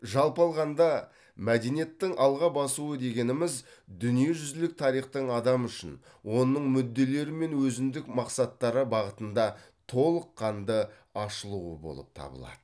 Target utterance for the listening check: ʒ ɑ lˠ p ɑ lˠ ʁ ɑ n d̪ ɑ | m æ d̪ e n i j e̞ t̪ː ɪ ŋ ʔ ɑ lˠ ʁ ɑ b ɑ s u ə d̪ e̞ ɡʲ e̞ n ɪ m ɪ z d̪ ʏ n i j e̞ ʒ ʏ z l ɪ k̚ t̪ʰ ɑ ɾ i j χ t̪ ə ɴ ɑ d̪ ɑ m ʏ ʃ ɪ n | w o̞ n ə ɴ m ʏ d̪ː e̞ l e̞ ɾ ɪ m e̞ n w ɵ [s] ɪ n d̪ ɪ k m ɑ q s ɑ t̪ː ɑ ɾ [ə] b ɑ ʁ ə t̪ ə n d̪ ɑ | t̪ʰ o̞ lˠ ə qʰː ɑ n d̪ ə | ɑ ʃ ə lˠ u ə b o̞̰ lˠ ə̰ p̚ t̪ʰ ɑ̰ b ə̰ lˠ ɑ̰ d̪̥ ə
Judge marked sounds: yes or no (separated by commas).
no, yes